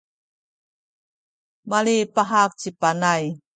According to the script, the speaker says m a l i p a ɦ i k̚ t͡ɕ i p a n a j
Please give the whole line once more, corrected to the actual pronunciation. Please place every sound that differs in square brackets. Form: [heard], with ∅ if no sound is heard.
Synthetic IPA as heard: m a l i p a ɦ [a] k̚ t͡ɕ i p a n a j